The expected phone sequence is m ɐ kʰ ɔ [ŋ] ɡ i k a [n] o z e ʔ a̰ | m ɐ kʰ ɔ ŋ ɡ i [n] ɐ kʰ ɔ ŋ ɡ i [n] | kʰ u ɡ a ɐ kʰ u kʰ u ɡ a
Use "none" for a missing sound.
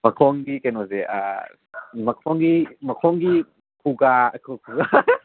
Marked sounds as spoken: ŋ, n, m, none

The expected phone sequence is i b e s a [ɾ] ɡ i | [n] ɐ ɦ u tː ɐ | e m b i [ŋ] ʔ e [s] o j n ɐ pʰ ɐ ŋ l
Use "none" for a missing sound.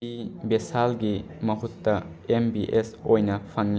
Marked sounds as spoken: l, m, none, s

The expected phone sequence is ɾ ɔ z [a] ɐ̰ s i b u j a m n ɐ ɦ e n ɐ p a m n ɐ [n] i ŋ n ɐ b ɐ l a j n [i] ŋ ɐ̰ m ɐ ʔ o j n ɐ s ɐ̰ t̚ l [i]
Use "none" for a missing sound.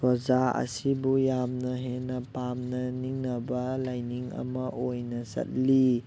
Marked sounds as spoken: a, n, i, i

